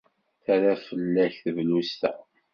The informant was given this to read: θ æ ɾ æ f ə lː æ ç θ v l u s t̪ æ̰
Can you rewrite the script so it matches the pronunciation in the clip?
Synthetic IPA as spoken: θ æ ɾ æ f ə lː æ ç θ v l u s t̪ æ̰